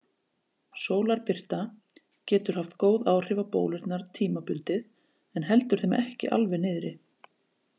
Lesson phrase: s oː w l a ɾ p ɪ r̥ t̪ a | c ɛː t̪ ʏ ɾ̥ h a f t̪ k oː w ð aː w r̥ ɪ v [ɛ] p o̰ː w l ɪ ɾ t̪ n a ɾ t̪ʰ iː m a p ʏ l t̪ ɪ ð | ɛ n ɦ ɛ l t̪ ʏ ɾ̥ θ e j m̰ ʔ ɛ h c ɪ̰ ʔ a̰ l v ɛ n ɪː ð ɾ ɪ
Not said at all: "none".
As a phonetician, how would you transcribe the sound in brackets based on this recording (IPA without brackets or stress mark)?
a